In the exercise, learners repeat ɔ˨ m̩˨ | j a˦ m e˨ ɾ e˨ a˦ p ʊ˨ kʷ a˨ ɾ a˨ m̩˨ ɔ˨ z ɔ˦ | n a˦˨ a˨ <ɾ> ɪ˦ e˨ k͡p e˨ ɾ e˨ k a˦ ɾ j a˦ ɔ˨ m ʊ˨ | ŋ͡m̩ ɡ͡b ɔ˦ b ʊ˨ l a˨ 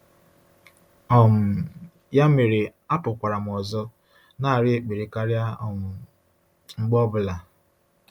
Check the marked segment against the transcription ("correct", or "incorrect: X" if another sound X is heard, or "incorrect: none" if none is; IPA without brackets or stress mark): correct